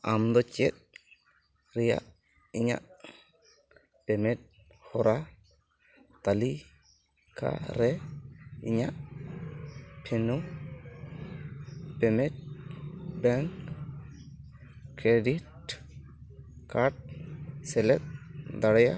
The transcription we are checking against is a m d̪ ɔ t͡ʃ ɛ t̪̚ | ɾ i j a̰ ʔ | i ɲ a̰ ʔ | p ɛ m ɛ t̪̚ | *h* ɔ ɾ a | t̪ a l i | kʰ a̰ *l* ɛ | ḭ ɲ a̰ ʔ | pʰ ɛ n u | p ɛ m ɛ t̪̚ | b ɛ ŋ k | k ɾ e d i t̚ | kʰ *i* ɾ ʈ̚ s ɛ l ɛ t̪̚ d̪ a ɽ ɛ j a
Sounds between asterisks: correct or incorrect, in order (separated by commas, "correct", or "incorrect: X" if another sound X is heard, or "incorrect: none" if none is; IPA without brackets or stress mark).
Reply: correct, incorrect: ɾ, incorrect: a